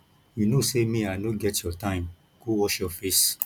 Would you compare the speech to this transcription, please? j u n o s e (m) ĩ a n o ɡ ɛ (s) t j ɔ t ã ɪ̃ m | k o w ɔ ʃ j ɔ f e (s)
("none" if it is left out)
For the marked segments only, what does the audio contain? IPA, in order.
m, none, s

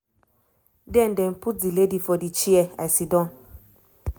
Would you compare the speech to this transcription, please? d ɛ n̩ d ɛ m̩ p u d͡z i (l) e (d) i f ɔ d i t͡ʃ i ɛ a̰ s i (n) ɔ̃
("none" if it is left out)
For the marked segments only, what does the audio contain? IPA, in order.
l, d, d

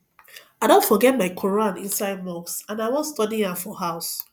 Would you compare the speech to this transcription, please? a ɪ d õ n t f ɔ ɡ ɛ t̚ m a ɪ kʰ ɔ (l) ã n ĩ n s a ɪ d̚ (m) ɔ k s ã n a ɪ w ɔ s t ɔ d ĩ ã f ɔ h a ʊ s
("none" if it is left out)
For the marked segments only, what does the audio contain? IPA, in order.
ɹ, m

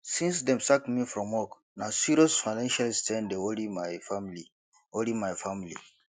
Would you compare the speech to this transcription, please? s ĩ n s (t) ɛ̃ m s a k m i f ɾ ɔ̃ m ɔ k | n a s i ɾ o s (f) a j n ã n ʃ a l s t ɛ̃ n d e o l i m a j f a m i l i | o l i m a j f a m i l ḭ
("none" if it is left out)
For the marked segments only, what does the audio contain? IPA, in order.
d, f

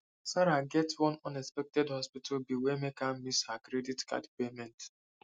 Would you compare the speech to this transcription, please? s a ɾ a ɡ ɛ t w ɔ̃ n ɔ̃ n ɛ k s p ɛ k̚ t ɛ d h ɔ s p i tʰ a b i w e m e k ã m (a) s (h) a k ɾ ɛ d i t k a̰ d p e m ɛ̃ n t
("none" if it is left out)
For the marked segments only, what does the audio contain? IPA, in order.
i, h

